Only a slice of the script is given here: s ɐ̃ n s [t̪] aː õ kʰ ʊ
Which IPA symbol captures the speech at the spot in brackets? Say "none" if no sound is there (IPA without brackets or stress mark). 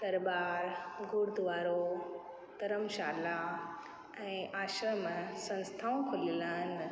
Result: t̪ʰ